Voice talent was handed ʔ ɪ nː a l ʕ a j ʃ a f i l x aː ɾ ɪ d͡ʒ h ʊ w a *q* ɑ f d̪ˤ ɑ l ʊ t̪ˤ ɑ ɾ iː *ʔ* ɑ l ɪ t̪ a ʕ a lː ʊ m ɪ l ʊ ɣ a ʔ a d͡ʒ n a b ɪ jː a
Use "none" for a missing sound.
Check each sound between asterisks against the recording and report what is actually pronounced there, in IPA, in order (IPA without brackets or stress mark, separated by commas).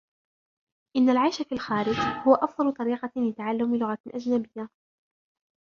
ʔ, q